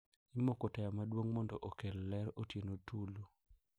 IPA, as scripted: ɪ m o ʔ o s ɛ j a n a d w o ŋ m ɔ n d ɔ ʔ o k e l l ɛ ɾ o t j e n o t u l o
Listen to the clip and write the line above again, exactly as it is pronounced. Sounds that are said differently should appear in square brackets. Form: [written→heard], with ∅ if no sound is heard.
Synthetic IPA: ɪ m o [ʔ→k] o [s→t] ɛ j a [n→m] a d w o ŋ m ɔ n d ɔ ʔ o k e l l ɛ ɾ o t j e n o t u l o